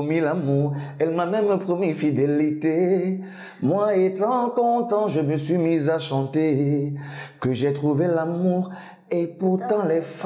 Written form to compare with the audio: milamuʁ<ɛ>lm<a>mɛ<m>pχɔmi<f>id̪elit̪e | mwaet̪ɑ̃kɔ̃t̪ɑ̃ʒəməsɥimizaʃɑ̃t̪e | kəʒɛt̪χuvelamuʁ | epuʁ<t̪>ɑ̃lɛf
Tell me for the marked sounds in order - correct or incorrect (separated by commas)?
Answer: correct, correct, correct, correct, correct